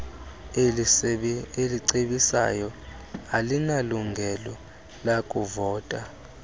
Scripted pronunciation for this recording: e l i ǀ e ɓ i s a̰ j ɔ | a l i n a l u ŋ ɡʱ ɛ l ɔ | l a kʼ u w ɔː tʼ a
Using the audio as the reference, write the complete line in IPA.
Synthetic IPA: e l i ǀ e ɓ i s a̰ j ɔ | a l i n a l u ŋ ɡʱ ɛ l ɔ | l a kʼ u v ɔː tʼ a

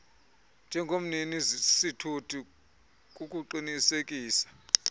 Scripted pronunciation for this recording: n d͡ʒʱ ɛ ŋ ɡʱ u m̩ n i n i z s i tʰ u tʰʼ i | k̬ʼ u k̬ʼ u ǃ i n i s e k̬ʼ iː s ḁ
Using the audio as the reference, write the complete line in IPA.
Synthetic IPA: n d͡ʒʱ ɛ ŋ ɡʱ o m̩ n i n i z s i tʰ u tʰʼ i | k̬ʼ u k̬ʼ u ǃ i n i s e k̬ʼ iː s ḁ

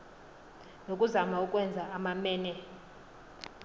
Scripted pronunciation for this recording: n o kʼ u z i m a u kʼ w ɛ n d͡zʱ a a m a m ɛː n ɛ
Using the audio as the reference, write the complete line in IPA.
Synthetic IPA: n o kʼ u z a m a u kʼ w ɛ n d͡zʱ a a m a m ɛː n ɛ

